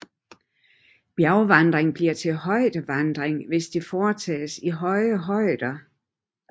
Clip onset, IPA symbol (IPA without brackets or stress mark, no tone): b̥